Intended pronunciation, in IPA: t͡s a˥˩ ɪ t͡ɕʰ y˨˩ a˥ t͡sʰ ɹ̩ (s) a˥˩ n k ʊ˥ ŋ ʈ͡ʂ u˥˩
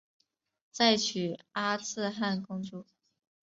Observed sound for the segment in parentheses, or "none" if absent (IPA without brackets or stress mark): x